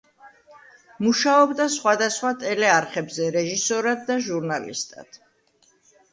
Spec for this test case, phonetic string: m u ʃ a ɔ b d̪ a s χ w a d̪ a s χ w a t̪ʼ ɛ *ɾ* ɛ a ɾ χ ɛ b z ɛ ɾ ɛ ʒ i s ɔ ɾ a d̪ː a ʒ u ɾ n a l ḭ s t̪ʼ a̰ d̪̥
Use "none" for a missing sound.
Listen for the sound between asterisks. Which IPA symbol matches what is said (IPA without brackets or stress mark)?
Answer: l